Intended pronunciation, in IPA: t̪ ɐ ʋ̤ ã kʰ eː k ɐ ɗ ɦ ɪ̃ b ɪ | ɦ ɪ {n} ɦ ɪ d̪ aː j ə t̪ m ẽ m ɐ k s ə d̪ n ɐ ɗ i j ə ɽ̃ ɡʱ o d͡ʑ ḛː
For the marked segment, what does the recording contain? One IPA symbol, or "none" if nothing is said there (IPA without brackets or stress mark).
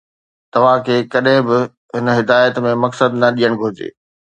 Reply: n